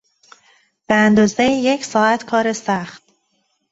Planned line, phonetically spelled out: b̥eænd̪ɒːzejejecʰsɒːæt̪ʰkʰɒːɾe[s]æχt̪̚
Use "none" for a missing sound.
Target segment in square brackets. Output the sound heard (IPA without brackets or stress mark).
s